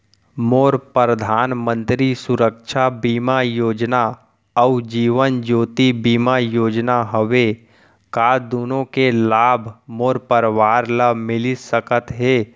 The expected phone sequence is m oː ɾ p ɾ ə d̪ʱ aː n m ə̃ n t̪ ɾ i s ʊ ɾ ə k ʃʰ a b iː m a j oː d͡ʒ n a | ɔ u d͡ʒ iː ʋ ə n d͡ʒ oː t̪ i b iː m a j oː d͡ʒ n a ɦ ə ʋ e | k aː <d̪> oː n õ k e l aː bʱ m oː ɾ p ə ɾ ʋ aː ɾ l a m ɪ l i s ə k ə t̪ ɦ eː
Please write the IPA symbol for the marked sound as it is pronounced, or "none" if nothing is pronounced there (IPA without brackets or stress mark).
d̪